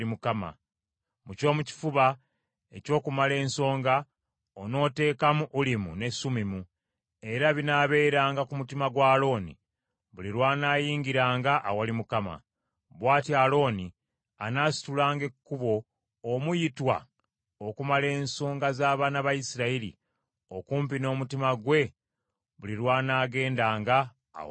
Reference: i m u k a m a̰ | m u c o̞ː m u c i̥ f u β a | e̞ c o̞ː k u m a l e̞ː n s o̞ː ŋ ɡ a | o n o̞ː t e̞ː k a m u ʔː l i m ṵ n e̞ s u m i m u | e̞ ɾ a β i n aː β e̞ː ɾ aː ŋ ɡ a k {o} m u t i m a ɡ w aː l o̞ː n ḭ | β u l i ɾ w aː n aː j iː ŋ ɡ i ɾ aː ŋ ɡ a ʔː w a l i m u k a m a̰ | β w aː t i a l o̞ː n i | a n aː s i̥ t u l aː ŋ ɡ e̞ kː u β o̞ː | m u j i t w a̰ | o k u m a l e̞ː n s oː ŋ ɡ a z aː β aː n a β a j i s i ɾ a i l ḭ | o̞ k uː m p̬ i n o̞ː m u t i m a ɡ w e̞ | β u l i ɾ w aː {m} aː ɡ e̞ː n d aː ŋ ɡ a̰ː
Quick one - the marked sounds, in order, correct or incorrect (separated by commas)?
incorrect, incorrect